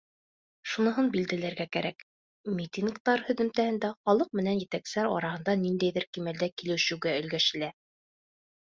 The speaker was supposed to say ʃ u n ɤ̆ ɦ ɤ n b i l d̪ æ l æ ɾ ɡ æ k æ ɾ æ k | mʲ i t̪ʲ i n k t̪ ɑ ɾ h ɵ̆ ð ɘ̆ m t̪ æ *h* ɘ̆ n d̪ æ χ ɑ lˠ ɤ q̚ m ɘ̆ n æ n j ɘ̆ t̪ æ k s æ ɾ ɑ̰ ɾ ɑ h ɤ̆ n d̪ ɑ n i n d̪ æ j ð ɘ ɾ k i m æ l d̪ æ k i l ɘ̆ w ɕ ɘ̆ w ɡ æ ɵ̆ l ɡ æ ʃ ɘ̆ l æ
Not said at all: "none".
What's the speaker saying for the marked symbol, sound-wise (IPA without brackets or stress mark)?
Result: h